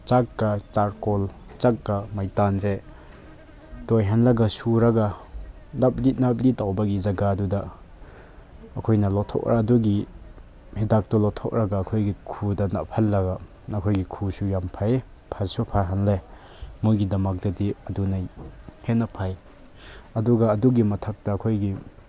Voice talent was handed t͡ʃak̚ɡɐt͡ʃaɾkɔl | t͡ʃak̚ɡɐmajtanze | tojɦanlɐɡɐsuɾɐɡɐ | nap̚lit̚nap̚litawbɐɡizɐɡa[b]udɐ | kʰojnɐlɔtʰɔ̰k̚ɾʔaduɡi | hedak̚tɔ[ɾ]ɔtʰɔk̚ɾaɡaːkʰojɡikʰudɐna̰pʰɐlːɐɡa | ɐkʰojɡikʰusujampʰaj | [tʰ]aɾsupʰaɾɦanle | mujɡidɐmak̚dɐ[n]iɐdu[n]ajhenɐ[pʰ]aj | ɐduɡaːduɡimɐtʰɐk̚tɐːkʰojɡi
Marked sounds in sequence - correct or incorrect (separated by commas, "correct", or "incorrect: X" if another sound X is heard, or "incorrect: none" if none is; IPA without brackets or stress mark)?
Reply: incorrect: d, incorrect: l, incorrect: pʰ, incorrect: d, correct, correct